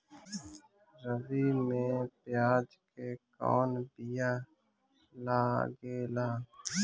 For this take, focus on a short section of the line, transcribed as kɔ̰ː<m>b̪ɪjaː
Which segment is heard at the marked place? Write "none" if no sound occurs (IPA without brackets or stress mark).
n